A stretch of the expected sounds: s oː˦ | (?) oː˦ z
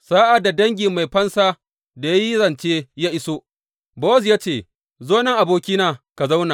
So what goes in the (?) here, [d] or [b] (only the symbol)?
b